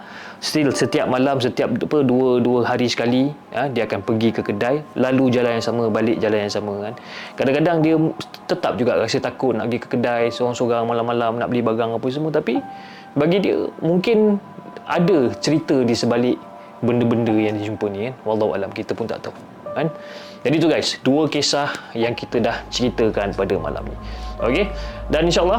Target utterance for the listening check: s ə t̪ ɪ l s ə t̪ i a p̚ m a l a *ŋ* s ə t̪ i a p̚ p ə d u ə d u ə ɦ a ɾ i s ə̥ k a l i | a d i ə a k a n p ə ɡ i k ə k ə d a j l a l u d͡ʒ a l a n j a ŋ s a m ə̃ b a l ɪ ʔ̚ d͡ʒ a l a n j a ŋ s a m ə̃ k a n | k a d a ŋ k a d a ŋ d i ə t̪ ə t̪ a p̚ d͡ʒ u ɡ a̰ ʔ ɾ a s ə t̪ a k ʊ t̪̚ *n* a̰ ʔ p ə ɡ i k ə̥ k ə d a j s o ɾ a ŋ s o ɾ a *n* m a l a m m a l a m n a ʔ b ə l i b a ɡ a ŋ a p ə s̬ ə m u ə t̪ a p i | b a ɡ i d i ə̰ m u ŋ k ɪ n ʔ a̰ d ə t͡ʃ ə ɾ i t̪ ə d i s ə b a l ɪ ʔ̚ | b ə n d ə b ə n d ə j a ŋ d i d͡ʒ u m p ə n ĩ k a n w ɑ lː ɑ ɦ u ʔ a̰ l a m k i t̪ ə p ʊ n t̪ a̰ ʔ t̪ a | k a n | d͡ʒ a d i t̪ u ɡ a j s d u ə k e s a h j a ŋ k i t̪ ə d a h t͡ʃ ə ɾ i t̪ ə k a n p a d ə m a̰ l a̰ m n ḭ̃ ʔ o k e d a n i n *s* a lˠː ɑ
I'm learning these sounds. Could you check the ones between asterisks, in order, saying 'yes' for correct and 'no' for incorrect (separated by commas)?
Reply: no, yes, no, no